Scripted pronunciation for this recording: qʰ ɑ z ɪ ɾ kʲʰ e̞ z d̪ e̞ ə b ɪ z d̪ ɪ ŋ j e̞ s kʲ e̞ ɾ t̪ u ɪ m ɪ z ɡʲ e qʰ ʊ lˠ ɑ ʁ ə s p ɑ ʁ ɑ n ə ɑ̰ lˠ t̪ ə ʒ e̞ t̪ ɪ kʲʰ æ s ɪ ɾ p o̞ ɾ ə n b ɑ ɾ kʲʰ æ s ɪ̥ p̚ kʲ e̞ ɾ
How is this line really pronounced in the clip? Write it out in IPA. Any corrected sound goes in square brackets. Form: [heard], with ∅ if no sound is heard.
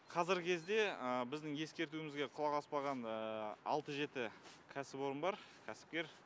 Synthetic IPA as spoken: qʰ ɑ z ɪ ɾ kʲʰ e̞ z d̪ e̞ ə b ɪ z d̪ ɪ ŋ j e̞ s kʲ e̞ ɾ t̪ u ɪ m ɪ z ɡʲ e qʰ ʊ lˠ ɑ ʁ [ɑ] s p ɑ ʁ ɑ n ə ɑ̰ lˠ t̪ ə ʒ e̞ t̪ ɪ kʲʰ æ s ɪ [∅] p o̞ ɾ ə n b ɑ ɾ kʲʰ æ s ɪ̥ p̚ kʲ e̞ ɾ